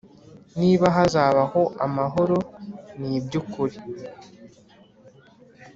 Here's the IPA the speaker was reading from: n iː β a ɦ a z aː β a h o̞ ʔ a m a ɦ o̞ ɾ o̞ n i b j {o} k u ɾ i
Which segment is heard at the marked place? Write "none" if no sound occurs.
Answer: u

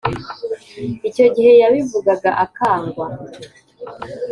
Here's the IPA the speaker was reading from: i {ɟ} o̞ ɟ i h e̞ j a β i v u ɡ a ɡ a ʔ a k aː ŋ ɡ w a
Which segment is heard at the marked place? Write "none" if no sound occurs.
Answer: c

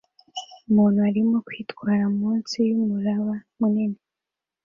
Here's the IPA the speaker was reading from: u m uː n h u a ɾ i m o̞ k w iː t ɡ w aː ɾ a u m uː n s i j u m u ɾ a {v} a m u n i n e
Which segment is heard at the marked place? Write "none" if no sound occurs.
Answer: β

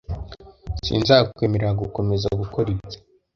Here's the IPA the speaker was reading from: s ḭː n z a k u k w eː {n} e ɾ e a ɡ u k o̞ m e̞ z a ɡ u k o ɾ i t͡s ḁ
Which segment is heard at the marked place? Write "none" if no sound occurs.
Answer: m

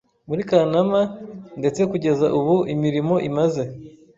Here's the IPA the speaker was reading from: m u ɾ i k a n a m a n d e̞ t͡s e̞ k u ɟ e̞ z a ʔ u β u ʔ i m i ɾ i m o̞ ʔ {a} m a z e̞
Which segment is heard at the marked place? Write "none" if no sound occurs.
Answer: i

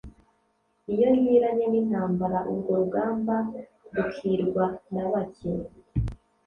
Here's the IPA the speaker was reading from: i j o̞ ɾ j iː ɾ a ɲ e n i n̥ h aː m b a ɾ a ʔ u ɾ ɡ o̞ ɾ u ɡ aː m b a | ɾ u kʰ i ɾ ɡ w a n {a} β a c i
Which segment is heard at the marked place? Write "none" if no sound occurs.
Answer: a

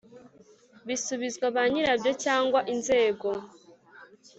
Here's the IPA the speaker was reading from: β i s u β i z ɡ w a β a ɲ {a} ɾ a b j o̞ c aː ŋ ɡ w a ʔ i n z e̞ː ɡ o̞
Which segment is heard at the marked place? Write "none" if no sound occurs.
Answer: i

